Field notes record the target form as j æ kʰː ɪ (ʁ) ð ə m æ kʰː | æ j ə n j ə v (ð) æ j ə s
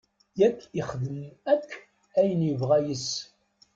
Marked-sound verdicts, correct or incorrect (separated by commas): incorrect, incorrect